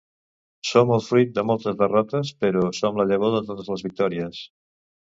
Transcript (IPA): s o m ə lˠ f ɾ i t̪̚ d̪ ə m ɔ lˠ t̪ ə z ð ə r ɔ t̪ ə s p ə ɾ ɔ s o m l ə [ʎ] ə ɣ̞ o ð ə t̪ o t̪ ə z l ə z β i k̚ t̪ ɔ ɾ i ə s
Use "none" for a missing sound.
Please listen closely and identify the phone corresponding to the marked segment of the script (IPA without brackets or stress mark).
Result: ʎ